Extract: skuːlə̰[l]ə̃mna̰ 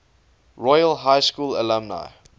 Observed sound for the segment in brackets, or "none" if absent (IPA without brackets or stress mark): l